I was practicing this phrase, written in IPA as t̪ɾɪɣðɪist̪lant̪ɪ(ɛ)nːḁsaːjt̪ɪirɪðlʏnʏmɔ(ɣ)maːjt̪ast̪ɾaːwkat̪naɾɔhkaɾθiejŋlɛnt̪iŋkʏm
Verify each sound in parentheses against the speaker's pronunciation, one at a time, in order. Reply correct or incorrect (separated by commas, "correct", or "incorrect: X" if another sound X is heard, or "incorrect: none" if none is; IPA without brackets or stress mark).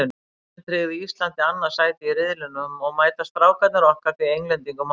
incorrect: a, correct